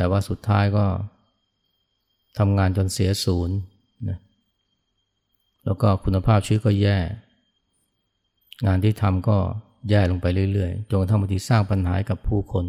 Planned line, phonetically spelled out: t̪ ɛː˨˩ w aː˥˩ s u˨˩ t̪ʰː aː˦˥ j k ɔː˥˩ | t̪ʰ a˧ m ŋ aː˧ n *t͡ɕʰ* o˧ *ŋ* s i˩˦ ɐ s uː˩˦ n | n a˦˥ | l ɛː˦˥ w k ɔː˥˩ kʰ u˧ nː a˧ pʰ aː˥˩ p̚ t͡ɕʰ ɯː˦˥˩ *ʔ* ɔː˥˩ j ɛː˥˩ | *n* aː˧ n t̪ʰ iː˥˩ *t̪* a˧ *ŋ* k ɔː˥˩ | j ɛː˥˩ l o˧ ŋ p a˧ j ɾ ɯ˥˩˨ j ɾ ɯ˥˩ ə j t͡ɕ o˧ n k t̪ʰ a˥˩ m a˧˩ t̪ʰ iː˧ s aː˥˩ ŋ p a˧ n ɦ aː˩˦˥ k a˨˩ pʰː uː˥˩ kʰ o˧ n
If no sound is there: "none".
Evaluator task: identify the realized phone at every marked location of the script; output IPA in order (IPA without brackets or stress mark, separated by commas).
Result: t͡ɕ, n, k, ŋ, t̪ʰ, m